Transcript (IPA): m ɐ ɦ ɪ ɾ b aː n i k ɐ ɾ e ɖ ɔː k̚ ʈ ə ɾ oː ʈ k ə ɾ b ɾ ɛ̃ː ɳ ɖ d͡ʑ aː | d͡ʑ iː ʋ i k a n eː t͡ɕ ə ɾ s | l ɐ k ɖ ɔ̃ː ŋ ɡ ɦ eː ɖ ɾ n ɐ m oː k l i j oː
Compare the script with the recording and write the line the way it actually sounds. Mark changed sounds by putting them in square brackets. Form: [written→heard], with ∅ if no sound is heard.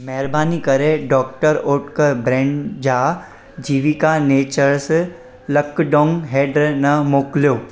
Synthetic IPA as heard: m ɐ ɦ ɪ ɾ b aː n i k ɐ ɾ e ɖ ɔː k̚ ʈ ə ɾ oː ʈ k ə ɾ b ɾ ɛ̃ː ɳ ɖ d͡ʑ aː | d͡ʑ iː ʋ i k a n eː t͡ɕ ə ɾ s | l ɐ k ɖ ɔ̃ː ŋ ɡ ɦ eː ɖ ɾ n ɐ m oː k l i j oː

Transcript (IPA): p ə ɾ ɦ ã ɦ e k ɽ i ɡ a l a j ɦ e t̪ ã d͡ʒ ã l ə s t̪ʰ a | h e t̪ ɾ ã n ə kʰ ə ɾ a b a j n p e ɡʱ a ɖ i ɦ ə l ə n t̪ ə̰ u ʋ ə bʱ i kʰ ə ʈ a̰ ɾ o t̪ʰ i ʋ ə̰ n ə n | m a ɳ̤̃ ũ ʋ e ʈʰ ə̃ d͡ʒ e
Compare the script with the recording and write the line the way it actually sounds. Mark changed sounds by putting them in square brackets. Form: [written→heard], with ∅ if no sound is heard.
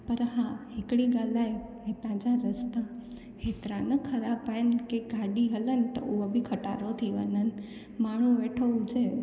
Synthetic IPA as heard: p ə ɾ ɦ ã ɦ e k ɽ i ɡ a l a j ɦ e t̪ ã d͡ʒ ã [l→ɾ] ə s [t̪ʰ→t̪] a | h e t̪ ɾ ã n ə kʰ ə ɾ a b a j n [p→k] e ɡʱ a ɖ i ɦ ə l ə n t̪ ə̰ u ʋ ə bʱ i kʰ ə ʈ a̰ ɾ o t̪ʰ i ʋ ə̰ n ə n | m a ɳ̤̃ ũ ʋ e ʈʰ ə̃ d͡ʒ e

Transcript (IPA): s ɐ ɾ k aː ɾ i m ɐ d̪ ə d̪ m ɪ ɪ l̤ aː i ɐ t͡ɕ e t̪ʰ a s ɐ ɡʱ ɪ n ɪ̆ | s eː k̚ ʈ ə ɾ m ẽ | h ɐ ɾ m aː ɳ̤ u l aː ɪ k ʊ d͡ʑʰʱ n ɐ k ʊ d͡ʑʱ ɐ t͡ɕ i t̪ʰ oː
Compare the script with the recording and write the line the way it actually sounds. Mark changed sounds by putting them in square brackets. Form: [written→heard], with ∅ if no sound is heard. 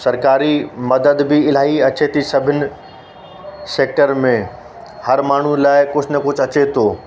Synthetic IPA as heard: s ɐ ɾ k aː ɾ i m ɐ d̪ ə d̪ [m→b] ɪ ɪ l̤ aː i ɐ t͡ɕ e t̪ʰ [a→i] s ɐ [ɡʱ→bʱ] ɪ n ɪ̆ | s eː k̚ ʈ ə ɾ m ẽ | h ɐ ɾ m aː ɳ̤ u l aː ɪ k ʊ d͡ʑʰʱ n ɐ k ʊ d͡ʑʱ ɐ t͡ɕ [i→e] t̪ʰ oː

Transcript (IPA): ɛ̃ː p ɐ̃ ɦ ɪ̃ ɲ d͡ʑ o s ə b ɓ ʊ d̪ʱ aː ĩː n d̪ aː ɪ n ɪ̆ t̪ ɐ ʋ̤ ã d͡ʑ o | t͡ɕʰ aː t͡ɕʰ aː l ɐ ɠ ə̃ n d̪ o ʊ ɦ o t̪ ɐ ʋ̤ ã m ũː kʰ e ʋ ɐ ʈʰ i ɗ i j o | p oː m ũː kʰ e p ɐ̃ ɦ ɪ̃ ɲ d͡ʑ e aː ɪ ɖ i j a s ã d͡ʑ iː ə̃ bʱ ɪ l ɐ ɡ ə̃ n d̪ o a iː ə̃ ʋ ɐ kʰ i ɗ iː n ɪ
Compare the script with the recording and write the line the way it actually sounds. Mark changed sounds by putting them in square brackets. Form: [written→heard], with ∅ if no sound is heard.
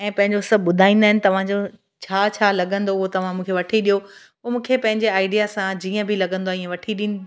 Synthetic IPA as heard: ɛ̃ː p ɐ̃ ɦ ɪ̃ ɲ d͡ʑ o s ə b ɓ ʊ d̪ʱ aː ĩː n d̪ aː ɪ n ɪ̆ t̪ ɐ ʋ̤ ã d͡ʑ o | t͡ɕʰ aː t͡ɕʰ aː l ɐ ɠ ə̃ n d̪ o ʊ ɦ o t̪ ɐ ʋ̤ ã m ũː kʰ e ʋ ɐ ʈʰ i ɗ i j o | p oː m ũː kʰ e p ɐ̃ ɦ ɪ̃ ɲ d͡ʑ e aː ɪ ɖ i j a s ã d͡ʑ iː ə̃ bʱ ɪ l ɐ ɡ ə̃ n d̪ o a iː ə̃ ʋ ɐ [kʰ→ʈʰ] i ɗ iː n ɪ

